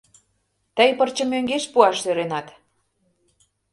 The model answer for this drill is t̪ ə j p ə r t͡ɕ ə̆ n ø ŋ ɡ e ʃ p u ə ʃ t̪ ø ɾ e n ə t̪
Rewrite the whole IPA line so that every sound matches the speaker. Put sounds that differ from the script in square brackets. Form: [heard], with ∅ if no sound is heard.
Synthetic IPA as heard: t̪ ə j p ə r t͡ɕ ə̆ [m] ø ŋ ɡ e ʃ p u [ɑ] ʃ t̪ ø ɾ e n [ɑ] t̪